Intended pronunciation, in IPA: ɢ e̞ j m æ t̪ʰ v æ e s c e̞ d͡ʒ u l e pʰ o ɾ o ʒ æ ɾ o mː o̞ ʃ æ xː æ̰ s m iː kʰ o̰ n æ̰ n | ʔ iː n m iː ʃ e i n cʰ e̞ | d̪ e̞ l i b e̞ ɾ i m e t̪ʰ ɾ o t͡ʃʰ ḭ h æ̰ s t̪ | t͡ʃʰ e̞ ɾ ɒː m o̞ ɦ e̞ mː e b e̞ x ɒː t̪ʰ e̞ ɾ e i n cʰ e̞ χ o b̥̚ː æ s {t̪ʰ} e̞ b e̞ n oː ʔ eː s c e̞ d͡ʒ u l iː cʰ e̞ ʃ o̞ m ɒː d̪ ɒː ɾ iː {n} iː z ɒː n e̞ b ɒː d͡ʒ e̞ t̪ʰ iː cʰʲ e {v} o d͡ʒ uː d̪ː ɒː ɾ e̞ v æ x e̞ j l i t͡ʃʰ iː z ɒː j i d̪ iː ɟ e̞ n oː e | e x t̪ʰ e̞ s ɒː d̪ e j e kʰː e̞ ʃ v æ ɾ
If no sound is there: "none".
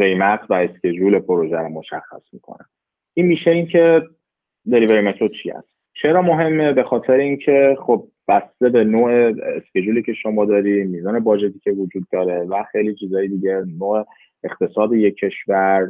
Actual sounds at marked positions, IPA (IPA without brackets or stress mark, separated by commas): t̪, m, v